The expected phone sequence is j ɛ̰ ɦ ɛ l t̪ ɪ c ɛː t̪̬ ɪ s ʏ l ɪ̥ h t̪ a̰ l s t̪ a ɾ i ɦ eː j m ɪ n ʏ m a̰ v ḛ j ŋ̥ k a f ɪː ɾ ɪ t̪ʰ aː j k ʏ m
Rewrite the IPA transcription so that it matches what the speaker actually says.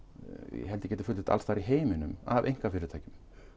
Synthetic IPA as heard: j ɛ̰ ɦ ɛ l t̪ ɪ c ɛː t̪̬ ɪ f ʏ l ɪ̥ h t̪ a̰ l s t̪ a ɾ i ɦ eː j m ɪ n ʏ m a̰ v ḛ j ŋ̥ k a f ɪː ɾ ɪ t̪ʰ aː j c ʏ m